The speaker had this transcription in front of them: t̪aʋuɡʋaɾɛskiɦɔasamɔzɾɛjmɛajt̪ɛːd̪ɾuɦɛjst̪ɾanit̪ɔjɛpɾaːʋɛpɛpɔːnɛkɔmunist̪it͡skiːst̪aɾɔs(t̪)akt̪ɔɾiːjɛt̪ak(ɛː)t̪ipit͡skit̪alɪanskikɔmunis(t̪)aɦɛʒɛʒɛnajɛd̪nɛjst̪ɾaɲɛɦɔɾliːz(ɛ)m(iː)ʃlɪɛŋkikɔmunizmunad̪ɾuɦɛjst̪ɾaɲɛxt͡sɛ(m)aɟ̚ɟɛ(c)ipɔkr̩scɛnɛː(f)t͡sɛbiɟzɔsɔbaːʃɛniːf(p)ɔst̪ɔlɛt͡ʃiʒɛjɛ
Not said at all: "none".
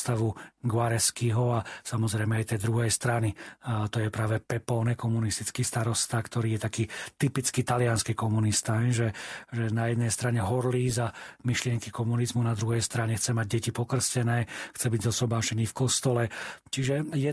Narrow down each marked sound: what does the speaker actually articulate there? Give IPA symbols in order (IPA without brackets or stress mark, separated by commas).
t̪, iː, t̪, a, i, m, c, x, k